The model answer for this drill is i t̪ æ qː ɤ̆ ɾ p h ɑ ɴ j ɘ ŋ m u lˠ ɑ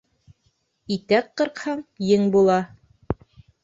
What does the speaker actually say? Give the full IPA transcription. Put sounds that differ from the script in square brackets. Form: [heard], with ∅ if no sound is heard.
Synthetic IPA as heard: i t̪ æ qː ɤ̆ ɾ [q] h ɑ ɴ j ɘ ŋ [b] u lˠ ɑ